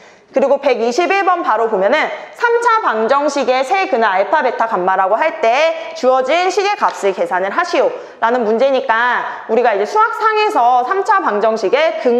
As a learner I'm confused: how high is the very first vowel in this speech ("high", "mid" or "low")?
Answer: high